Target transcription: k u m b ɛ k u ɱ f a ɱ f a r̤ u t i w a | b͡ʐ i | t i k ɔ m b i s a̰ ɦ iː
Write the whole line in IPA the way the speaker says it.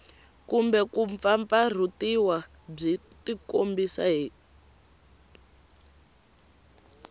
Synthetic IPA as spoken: k u m b ɛ k u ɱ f a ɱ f a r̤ u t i w a | b͡ʐ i | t i k o m b i s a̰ ɦ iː